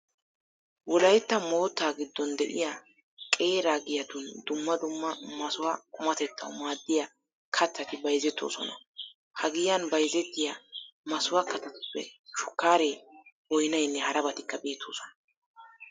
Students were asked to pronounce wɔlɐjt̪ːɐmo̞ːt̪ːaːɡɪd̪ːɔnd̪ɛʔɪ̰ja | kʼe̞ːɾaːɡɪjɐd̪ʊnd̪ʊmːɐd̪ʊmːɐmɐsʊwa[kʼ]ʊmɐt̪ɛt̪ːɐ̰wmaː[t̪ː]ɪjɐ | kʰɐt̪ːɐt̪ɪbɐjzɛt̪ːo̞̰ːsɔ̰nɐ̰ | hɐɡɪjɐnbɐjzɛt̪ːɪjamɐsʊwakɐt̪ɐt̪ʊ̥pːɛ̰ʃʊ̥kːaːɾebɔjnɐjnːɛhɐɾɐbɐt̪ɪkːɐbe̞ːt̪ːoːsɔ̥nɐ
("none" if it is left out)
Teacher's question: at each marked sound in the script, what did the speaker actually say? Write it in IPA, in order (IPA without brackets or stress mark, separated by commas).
kʼ, d̪ː